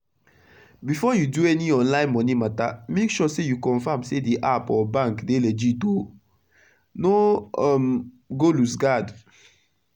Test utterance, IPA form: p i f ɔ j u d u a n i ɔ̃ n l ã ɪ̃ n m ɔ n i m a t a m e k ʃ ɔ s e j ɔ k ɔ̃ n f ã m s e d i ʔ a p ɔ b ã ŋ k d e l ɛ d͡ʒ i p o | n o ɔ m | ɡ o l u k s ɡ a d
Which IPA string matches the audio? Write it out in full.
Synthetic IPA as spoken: b i f ɔ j u d u ɛ n i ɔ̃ n l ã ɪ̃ n m ɔ n i m a t a m e k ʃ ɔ s e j u k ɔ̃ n f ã m s e d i ʔ a p ɔ b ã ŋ k d e l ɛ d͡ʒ i t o | n o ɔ m | ɡ o l u s ɡ a d